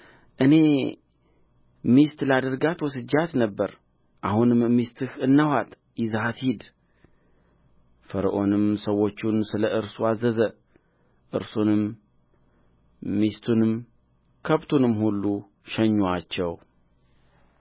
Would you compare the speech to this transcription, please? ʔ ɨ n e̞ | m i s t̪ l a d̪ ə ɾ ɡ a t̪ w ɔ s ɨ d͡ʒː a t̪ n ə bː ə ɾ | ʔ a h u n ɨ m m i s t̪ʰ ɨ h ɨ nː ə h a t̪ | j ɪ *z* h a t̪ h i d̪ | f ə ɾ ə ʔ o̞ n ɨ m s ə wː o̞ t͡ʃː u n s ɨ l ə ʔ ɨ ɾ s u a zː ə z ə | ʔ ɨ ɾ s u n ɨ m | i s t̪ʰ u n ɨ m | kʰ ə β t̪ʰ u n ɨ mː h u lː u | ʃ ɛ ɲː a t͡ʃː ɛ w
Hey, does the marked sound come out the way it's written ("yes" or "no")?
yes